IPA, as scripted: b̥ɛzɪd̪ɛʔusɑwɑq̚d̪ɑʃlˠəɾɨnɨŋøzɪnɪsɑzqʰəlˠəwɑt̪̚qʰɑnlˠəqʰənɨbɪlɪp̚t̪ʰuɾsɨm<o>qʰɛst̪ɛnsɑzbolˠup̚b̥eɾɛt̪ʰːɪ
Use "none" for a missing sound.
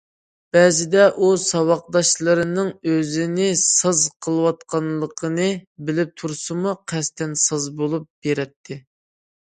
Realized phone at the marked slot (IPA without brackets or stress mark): u